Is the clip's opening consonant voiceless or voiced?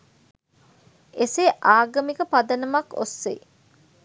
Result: voiceless